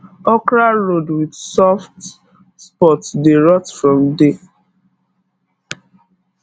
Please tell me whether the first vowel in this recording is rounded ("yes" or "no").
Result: yes